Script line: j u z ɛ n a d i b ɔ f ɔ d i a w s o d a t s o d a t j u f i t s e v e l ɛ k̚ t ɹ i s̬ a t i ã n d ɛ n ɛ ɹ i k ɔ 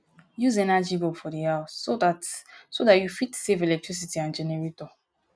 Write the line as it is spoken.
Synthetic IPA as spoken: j u z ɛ n a d͡ʒ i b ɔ f ɔ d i a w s o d a t s o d a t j u f i t s e v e l ɛ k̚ t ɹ i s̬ i t i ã n d͡ʒ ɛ n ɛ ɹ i t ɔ